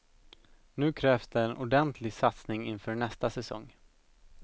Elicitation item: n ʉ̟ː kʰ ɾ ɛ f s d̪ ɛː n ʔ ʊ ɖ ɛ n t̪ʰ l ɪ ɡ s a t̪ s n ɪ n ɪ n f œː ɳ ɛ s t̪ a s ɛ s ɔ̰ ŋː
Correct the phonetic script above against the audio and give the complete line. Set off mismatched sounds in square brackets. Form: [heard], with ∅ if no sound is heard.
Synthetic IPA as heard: n ʉ̟ː kʰ ɾ [ɛː] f s d̪ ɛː n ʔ ʊ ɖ ɛ n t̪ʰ l ɪ ɡ s a t̪ s n ɪ [ŋ] ɪ n f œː ɳ ɛ s t̪ a s ɛ s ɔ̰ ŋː